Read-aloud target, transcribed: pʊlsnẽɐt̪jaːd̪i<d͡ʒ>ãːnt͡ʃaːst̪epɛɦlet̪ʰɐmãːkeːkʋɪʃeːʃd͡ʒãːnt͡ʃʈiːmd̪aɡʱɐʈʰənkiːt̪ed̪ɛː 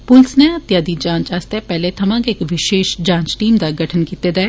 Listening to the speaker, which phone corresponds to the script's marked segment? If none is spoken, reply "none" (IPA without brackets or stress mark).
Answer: d͡ʒ